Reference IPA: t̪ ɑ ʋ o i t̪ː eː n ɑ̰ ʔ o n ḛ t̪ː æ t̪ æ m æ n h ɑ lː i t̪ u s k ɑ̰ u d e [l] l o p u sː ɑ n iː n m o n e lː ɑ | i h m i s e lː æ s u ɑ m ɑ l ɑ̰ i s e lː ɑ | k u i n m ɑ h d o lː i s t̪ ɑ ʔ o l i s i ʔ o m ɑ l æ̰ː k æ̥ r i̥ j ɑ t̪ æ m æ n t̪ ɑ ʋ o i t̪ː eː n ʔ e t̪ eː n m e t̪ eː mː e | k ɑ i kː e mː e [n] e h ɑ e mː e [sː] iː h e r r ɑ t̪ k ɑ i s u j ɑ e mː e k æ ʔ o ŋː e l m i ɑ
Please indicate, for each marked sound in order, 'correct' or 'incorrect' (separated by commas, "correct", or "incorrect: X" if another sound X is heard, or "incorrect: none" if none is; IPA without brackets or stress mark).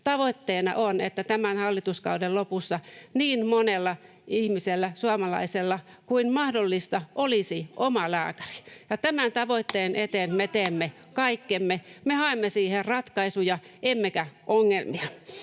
correct, incorrect: m, incorrect: s